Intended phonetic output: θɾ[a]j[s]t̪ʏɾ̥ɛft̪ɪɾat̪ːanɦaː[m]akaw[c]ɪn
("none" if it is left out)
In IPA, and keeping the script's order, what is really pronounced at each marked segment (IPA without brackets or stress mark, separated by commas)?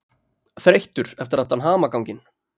e, h, m, c